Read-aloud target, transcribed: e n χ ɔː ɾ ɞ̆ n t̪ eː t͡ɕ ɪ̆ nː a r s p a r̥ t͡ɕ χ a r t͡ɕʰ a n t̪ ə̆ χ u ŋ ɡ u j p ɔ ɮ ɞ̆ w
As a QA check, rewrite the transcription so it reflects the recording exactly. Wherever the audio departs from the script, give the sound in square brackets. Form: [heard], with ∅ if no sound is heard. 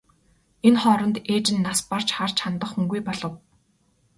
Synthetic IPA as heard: e n χ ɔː ɾ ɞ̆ n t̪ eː t͡ɕ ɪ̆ nː a [∅] s p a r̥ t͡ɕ χ a r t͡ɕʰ a n t̪ ə̆ χ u ŋ ɡ u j p ɔ ɮ ɞ̆ w